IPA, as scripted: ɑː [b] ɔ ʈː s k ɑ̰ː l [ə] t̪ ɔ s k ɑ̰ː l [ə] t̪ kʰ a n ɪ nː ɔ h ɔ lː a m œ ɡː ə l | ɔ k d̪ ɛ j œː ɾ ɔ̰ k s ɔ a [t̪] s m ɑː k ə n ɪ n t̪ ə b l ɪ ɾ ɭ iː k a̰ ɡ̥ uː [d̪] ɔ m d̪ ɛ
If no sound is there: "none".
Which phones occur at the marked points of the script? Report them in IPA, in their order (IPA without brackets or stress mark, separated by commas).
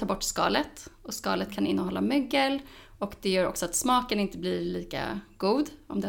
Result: b, ə, ə, t̪, d̪